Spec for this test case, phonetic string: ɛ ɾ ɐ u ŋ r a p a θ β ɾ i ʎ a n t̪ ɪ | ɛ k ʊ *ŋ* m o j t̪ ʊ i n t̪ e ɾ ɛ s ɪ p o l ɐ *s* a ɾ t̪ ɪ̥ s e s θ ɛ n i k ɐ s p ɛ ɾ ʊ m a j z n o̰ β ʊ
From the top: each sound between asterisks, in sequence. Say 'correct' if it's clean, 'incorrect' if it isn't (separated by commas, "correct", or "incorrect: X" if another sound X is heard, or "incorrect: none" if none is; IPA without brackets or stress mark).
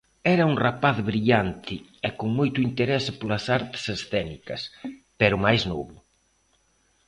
correct, correct